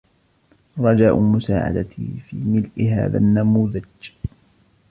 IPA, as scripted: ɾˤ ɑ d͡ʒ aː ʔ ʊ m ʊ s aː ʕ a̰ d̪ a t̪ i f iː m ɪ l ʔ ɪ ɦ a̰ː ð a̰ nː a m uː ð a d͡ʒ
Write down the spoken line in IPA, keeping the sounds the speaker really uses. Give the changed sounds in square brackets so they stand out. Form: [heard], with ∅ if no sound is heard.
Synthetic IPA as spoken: ɾˤ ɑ d͡ʒ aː ʔ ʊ m ʊ s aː ʕ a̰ d̪ a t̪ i f iː m ɪ l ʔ ɪ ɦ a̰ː ð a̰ nː a m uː ð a d͡ʒ